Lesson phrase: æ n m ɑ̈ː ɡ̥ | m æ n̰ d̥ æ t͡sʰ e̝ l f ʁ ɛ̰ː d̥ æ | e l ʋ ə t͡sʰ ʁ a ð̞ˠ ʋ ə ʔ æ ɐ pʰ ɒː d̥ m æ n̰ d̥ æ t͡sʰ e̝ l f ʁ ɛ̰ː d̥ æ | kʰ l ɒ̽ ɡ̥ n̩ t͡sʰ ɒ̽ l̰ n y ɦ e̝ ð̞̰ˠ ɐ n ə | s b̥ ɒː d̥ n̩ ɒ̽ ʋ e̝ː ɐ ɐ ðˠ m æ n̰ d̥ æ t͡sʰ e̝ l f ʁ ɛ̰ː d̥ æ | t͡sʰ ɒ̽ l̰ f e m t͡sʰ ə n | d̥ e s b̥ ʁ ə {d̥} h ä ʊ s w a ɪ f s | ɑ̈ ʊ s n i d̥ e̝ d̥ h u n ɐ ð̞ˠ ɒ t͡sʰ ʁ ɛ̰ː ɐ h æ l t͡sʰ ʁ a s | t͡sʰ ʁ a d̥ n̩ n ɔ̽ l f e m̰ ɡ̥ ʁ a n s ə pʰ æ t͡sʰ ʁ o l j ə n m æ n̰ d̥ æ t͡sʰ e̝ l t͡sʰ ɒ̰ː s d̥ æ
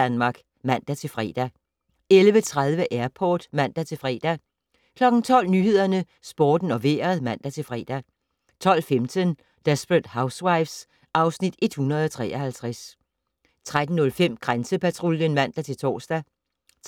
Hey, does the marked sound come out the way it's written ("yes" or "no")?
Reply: yes